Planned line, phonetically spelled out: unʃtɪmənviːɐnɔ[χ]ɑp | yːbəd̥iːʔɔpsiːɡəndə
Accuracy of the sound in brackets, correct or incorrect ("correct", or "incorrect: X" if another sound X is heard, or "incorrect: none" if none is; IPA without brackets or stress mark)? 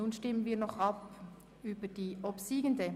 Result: correct